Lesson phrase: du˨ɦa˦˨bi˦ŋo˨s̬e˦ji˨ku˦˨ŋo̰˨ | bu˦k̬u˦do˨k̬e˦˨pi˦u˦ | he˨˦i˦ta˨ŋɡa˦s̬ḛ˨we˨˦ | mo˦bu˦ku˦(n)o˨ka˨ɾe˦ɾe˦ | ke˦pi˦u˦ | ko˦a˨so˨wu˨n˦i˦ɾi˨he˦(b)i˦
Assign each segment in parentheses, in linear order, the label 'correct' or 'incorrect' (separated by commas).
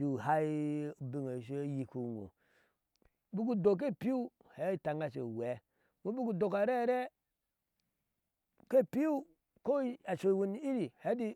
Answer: incorrect, incorrect